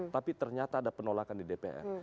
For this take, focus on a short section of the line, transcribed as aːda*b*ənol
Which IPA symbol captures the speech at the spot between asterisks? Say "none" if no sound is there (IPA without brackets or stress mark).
p